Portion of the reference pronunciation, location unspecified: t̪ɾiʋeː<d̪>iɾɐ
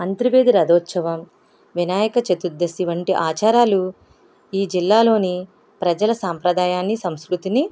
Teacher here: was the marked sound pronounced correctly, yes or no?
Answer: yes